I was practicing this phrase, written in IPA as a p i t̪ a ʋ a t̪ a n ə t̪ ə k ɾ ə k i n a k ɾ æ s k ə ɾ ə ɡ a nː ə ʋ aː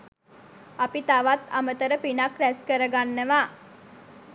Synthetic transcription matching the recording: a p i t̪ a ʋ a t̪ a m ə t̪ ə ɾ ə p i n a k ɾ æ s k ə ɾ ə ɡ a nː ə ʋ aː